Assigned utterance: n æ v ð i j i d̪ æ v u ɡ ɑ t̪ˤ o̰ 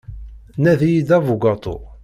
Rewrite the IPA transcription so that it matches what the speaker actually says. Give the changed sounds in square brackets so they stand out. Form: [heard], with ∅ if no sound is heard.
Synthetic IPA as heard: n æ [∅] ð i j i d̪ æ v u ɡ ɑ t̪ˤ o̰